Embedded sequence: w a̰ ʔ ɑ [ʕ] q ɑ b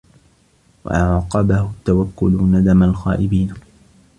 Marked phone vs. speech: correct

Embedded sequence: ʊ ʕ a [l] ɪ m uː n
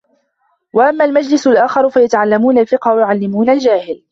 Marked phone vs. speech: incorrect: lː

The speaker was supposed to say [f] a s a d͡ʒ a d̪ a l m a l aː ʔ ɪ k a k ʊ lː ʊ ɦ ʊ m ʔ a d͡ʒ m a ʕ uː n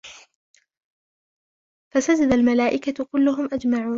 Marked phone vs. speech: correct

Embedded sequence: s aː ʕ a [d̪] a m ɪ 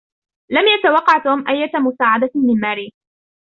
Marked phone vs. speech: correct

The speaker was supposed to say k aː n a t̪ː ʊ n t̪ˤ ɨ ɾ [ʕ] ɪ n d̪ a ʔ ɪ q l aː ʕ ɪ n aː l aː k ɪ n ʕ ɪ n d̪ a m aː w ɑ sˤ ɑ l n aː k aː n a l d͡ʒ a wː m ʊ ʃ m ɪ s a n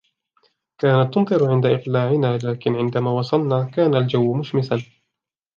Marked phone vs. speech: correct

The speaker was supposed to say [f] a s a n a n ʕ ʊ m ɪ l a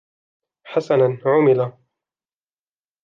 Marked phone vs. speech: incorrect: ħ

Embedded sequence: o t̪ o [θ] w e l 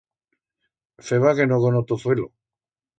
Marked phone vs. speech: correct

